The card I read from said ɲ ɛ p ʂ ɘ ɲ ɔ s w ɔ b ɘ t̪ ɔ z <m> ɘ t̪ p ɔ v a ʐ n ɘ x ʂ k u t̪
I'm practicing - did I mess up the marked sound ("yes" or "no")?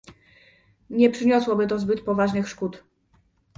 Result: yes